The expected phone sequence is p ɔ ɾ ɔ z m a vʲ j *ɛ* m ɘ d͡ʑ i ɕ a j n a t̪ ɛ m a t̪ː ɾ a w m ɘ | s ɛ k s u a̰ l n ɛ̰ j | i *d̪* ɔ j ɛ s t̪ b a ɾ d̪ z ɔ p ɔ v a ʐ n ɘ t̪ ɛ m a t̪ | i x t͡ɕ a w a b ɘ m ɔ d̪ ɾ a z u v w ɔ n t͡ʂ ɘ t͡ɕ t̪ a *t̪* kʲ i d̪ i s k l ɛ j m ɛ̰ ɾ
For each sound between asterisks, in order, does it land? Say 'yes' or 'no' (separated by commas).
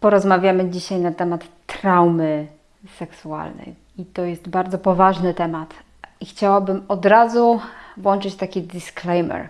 no, no, no